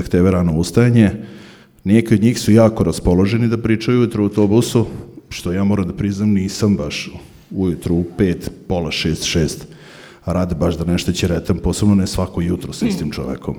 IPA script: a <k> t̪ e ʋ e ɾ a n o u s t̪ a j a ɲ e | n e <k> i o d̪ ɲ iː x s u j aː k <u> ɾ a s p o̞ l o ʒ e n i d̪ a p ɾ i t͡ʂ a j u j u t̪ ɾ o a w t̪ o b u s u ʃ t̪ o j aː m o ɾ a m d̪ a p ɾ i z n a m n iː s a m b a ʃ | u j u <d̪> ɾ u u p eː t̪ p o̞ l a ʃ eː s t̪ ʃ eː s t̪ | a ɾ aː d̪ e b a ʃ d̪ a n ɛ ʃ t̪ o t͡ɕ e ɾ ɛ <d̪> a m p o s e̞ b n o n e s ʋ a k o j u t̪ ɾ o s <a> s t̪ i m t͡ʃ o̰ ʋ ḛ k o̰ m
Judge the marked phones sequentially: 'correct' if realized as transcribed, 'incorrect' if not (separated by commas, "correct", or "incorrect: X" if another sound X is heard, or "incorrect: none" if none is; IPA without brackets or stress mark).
correct, correct, incorrect: o, incorrect: t̪, incorrect: t̪, incorrect: i